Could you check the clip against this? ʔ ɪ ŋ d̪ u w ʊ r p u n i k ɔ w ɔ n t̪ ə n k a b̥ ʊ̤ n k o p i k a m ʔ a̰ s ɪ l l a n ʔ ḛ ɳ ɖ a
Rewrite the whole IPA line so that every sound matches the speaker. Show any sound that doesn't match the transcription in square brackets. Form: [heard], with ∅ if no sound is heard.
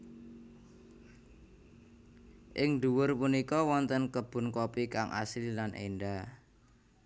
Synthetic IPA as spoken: ʔ ɪ ŋ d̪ u w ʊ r p u n i k ɔ w ɔ n t̪ ə n k [ə] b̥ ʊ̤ n k o p i k a [ŋ] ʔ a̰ s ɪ l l a n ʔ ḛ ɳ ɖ a